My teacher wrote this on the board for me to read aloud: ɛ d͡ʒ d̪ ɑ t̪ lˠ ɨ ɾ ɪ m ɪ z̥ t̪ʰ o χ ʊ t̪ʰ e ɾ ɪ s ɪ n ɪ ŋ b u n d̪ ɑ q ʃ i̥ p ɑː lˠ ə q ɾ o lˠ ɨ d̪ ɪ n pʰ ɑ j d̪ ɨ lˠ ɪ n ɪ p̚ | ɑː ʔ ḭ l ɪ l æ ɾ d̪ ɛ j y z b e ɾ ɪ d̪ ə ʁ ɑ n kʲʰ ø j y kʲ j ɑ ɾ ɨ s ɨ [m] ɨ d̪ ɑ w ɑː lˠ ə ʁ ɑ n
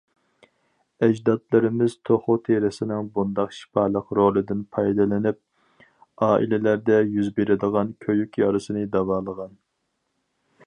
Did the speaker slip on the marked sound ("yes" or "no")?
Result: yes